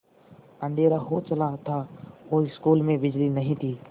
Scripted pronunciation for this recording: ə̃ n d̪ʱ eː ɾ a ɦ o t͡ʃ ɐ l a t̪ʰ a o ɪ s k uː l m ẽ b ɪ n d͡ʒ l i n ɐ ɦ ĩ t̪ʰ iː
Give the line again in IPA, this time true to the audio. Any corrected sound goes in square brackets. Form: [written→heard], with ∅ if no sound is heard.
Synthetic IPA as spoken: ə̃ n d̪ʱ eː ɾ a ɦ o t͡ʃ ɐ l a t̪ʰ a o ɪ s k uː l m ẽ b ɪ [n→∅] d͡ʒ l i n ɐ ɦ ĩ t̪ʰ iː